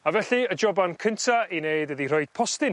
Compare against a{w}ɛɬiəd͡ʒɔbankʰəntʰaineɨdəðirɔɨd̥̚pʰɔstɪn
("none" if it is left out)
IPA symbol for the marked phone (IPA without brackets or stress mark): v